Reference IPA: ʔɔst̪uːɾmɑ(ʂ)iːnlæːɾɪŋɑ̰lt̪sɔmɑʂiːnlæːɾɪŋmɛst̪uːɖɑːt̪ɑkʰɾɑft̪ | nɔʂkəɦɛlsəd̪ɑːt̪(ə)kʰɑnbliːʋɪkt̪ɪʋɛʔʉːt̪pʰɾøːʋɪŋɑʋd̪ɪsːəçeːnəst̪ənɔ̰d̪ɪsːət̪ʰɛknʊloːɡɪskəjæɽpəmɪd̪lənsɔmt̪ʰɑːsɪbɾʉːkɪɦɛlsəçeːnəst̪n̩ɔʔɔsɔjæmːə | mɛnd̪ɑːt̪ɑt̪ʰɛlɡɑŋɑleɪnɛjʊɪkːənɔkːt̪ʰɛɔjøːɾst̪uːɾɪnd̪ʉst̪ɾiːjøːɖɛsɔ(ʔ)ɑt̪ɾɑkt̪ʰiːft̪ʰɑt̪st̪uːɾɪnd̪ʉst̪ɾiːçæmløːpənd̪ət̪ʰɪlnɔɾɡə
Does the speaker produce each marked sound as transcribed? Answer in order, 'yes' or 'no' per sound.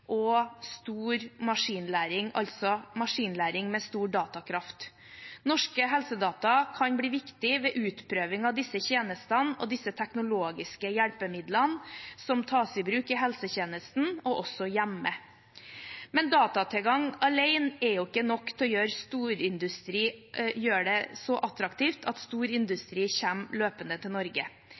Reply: yes, no, yes

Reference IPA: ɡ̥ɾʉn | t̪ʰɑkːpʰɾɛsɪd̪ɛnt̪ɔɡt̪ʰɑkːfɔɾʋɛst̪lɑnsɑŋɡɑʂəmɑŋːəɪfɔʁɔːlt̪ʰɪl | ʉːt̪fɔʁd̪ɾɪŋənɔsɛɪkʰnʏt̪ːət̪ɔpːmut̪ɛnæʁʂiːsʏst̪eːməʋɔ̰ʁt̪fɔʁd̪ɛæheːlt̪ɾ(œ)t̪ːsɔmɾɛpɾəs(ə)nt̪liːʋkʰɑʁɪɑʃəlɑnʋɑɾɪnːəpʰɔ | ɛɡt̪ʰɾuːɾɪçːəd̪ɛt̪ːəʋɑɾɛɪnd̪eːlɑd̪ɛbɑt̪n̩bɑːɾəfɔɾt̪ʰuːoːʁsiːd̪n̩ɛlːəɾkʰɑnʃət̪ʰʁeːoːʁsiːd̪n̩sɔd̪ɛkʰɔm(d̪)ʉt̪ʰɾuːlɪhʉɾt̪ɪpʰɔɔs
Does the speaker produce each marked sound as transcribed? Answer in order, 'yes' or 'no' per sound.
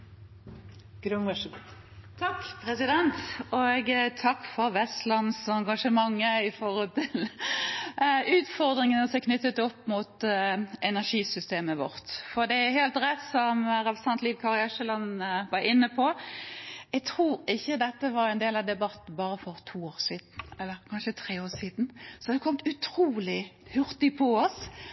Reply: no, no, no

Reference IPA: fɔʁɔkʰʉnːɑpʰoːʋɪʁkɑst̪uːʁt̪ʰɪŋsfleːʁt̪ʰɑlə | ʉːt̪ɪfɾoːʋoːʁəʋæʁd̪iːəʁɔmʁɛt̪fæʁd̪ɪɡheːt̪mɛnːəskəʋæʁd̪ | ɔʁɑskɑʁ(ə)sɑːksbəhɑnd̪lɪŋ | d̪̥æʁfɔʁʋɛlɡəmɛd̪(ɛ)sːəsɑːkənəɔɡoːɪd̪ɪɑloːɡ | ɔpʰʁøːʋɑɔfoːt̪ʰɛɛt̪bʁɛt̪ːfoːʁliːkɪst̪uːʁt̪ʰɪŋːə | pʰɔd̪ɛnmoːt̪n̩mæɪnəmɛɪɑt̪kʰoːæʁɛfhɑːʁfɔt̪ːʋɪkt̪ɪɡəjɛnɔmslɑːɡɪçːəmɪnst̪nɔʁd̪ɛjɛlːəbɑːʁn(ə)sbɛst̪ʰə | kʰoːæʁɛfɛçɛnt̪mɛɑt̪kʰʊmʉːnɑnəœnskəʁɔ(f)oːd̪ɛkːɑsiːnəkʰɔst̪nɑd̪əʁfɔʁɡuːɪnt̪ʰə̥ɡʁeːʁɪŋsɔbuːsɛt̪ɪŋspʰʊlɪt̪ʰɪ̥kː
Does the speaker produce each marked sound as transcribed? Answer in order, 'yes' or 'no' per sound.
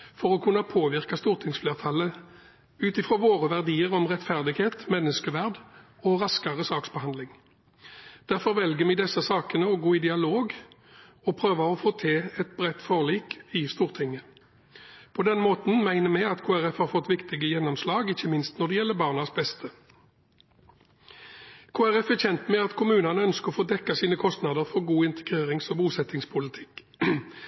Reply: yes, yes, no, yes

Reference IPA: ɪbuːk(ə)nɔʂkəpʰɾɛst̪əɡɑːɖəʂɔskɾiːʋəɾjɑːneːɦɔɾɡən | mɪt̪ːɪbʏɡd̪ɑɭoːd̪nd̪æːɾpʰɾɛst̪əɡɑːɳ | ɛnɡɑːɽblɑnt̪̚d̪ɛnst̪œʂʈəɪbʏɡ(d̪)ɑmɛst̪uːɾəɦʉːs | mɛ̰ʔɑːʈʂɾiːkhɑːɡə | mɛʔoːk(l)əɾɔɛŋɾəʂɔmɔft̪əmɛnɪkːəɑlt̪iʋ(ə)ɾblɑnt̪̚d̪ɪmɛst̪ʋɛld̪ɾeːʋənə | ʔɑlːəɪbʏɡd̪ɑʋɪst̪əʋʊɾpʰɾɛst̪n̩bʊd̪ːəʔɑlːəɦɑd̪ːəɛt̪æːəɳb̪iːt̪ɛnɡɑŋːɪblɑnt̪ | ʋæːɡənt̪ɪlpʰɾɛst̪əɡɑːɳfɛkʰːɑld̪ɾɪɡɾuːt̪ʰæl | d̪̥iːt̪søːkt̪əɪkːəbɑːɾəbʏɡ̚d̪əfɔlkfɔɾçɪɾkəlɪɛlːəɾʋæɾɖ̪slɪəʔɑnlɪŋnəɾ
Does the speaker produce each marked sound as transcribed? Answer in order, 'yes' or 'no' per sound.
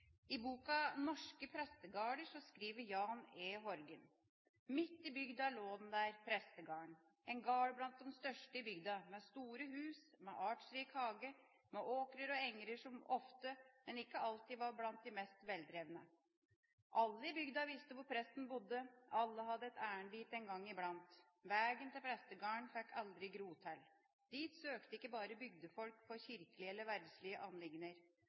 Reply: no, yes, no, no

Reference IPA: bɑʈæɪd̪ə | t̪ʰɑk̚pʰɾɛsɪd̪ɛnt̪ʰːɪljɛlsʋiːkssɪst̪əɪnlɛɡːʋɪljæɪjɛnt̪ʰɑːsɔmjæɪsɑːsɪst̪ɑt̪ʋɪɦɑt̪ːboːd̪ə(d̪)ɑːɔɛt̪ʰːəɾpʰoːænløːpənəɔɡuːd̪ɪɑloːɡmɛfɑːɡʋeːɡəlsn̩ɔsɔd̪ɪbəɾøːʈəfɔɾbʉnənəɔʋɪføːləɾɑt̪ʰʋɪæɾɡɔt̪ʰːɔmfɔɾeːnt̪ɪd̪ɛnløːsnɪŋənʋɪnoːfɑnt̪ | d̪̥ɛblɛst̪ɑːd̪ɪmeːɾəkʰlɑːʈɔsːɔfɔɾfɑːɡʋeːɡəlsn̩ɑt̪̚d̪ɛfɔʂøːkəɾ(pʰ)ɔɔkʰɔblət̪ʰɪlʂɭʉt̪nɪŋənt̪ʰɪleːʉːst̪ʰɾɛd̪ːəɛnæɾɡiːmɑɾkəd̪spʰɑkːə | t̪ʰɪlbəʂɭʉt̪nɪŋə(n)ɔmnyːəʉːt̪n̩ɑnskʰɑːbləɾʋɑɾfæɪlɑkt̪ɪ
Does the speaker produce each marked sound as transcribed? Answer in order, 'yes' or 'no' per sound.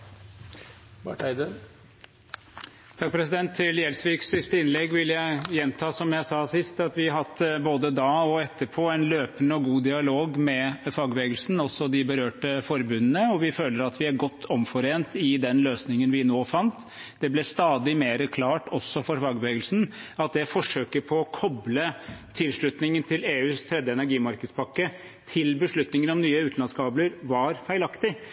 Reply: yes, yes, yes

